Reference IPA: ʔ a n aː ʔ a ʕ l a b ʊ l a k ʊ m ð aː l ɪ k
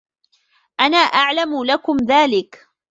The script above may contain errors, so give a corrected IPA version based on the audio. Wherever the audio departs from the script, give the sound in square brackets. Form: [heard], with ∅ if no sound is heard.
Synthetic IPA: ʔ a n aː ʔ a ʕ l a [m] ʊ l a k ʊ m ð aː l ɪ k